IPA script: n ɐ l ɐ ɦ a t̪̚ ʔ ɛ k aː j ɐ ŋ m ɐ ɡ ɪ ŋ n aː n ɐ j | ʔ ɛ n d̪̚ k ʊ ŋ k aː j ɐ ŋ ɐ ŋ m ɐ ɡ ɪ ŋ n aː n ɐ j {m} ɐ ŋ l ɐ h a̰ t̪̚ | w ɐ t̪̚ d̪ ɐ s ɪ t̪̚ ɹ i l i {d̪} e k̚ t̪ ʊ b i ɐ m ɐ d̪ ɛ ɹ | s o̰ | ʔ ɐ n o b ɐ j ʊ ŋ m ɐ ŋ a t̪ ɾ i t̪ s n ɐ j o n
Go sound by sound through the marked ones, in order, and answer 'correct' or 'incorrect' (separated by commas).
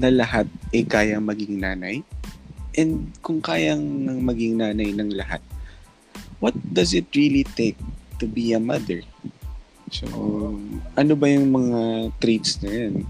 incorrect, incorrect